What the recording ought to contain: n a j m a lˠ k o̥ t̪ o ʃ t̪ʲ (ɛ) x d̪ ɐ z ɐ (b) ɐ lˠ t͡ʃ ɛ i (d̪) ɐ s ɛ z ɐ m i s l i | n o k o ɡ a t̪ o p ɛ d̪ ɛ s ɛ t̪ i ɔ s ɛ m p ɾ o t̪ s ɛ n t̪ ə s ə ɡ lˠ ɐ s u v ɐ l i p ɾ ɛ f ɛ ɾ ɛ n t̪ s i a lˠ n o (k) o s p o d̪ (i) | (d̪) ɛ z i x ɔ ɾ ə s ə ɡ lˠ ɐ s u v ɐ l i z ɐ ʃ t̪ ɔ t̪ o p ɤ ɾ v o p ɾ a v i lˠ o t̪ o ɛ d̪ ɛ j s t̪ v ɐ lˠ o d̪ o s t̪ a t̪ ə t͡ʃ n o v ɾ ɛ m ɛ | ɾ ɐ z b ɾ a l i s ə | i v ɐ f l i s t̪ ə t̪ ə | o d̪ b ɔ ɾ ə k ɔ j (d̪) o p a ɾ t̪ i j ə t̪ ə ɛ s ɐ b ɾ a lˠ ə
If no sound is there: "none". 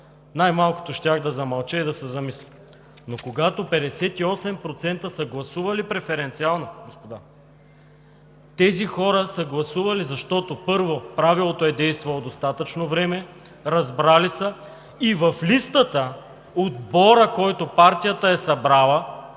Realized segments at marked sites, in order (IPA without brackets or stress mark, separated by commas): a, m, d̪, ɡ, a, t̪, t̪